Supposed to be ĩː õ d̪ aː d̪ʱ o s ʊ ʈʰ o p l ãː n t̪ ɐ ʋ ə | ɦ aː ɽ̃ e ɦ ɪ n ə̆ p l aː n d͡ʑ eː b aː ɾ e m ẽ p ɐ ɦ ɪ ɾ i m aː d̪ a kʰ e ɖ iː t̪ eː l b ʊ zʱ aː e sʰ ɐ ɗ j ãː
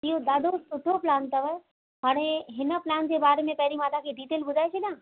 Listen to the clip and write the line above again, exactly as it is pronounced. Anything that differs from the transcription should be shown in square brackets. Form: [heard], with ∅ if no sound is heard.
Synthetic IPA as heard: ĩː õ d̪ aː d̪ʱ o s ʊ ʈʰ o p l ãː n t̪ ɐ ʋ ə | ɦ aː ɽ̃ e ɦ ɪ n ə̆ p l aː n d͡ʑ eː b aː ɾ e m ẽ p ɐ ɦ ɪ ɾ i m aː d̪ a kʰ e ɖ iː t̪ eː l b ʊ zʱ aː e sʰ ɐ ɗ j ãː